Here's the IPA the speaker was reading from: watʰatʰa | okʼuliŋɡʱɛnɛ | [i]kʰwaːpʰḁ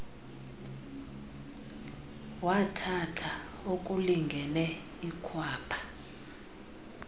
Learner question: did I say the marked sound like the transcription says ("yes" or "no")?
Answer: yes